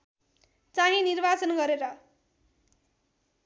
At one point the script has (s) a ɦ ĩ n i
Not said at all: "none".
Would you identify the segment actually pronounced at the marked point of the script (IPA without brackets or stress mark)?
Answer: t͡s